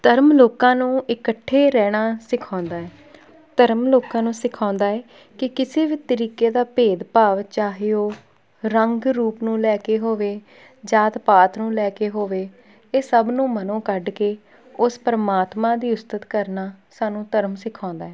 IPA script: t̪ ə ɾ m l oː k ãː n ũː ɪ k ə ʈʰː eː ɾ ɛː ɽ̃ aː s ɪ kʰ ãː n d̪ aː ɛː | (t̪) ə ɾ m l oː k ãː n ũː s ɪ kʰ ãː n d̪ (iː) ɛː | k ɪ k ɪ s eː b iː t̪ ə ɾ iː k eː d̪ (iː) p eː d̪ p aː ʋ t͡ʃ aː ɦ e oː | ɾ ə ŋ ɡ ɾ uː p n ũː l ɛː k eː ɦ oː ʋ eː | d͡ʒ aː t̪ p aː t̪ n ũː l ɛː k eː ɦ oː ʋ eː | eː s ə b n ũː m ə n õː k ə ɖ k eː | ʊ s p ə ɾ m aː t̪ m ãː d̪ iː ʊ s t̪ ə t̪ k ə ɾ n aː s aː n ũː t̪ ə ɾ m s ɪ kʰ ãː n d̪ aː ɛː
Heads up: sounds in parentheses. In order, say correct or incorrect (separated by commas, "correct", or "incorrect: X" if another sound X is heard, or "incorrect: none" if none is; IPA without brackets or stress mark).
correct, incorrect: aː, incorrect: aː